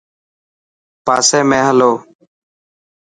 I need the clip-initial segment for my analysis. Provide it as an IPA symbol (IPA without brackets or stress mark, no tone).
p